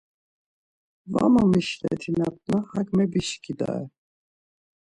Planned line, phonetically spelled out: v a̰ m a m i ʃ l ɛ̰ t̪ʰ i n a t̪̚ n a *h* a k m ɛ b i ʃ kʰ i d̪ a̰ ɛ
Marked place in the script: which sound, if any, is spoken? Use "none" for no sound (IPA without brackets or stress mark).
h